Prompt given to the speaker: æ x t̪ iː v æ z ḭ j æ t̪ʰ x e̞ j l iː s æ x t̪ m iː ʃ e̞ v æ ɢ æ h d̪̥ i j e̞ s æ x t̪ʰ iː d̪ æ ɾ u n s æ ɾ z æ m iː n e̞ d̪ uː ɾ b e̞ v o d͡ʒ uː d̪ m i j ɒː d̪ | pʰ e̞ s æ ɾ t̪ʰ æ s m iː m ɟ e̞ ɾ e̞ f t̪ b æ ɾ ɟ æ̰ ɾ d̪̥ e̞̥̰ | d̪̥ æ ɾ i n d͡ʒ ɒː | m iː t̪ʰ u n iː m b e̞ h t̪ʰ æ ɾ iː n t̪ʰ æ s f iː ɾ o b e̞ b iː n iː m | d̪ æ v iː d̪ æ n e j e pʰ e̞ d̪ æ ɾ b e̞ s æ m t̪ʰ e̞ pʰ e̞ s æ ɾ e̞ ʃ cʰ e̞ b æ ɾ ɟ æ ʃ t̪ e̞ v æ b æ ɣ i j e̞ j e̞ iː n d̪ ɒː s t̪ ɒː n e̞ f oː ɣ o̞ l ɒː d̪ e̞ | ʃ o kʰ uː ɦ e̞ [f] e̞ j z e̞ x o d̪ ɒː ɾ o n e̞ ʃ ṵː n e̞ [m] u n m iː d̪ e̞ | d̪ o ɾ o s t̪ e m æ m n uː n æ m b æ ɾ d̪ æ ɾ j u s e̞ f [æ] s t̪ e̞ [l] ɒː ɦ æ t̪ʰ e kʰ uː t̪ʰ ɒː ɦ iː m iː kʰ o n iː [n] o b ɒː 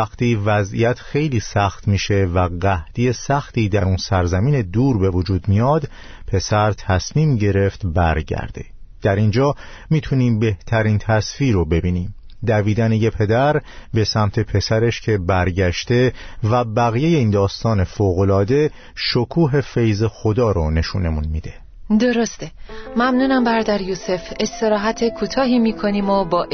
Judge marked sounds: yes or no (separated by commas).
yes, yes, no, no, no